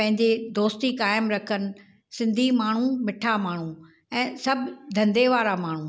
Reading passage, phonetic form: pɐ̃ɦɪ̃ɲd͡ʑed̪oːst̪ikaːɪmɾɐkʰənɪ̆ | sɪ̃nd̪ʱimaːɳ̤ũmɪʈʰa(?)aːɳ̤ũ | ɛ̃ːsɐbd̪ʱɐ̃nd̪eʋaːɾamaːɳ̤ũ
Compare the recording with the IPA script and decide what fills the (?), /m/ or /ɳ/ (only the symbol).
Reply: m